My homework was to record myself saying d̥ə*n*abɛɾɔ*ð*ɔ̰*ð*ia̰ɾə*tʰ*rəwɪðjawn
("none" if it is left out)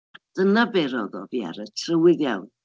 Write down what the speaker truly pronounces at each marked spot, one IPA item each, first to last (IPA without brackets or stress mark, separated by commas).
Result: n, ð, v, tʰ